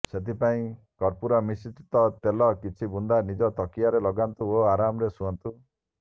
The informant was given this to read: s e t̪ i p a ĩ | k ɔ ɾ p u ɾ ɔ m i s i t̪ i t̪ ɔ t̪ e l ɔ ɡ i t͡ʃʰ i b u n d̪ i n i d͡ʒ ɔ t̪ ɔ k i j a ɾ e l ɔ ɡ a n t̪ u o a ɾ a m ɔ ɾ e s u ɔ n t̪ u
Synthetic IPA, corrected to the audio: s e t̪ i p a ĩ | k ɔ ɾ p u ɾ ɔ m i s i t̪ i t̪ ɔ t̪ e l ɔ k i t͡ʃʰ i b u n d̪ a n i d͡ʒ ɔ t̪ ɔ k i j a ɾ e l ɔ ɡ a n t̪ u o a ɾ a m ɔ ɾ e s u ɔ n t̪ u